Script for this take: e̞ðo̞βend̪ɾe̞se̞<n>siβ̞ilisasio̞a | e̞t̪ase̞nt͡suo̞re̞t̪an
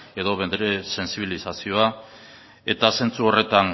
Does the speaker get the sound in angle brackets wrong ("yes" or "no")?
no